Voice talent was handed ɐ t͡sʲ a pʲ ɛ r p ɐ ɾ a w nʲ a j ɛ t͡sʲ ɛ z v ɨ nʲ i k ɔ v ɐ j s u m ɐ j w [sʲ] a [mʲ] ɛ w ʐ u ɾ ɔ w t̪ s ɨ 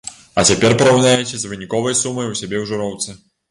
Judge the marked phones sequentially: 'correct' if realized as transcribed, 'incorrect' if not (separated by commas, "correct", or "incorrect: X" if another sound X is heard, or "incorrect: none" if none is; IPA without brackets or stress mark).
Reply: correct, incorrect: bʲ